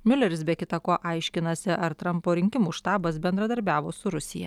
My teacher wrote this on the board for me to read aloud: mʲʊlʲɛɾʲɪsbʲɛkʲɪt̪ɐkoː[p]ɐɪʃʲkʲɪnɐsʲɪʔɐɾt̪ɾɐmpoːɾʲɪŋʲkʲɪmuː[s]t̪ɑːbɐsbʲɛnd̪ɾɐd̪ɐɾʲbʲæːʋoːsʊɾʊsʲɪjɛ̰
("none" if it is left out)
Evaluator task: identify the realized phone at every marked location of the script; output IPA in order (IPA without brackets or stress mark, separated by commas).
ʔ, ʃ